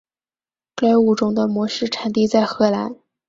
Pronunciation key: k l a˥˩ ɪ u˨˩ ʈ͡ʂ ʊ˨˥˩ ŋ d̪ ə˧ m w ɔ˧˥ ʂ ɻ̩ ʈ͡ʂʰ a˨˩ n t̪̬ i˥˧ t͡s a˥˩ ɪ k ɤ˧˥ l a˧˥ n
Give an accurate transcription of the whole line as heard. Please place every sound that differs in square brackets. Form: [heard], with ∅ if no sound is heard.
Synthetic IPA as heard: k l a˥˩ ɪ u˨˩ ʈ͡ʂ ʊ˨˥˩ ŋ d̪ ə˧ m w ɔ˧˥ ʂ ɻ̩ ʈ͡ʂʰ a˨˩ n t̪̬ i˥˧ t͡s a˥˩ ɪ [x] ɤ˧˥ l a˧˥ n